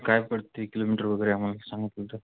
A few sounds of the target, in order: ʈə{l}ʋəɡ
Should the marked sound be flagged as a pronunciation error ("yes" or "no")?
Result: yes